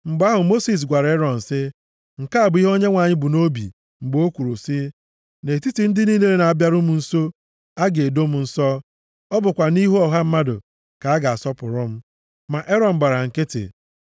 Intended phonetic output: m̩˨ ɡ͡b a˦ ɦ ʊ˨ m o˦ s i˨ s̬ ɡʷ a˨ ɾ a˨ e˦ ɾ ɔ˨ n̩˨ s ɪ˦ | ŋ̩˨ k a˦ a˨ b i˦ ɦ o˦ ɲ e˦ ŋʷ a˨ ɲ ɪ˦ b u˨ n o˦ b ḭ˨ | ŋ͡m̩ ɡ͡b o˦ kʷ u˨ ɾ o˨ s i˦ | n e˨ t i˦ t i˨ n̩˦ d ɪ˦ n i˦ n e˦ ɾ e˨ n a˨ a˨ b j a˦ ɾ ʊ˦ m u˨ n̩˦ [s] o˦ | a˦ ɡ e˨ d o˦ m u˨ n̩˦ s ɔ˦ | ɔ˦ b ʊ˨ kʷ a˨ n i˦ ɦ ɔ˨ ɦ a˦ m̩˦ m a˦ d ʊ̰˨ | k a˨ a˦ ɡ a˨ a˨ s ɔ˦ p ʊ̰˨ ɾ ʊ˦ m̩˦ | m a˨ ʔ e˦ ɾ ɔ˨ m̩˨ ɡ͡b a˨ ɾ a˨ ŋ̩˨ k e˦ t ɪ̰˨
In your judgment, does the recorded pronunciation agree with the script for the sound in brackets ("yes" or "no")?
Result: yes